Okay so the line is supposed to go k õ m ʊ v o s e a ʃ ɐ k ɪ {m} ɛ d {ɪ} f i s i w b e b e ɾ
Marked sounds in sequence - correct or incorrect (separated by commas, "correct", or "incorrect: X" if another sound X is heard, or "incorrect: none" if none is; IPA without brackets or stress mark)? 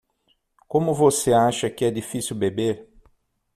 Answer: incorrect: none, incorrect: i